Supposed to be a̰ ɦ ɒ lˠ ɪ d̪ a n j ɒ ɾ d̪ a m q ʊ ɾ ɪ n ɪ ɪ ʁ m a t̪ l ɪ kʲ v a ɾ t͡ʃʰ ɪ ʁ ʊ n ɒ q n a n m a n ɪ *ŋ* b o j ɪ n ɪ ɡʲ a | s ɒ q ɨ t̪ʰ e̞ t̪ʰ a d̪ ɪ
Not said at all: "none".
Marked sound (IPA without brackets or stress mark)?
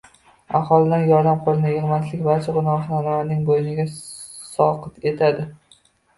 ŋ